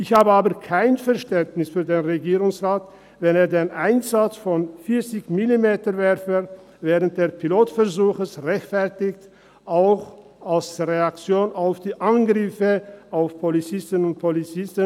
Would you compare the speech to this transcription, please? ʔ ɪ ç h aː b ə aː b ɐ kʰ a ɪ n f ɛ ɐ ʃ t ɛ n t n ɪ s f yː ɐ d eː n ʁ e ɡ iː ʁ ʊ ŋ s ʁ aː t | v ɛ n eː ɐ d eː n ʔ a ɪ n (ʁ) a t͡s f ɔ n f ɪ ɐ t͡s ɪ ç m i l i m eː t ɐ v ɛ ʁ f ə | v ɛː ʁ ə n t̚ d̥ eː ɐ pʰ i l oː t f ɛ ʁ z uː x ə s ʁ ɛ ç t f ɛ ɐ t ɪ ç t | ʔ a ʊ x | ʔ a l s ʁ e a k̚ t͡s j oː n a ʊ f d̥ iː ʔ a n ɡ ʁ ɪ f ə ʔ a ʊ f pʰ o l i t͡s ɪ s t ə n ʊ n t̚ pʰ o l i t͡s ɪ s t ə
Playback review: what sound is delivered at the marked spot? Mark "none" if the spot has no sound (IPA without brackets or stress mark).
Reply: z